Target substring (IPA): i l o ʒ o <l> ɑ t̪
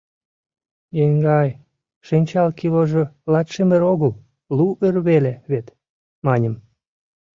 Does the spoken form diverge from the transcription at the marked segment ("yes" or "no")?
no